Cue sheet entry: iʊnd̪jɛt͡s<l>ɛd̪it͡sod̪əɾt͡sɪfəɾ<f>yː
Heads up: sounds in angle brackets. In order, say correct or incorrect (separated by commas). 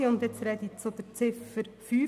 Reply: incorrect, correct